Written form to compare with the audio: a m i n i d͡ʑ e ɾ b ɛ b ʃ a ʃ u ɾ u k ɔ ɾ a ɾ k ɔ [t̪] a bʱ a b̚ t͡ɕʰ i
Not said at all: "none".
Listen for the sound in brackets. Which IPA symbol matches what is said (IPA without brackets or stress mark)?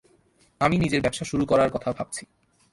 t̪ʰ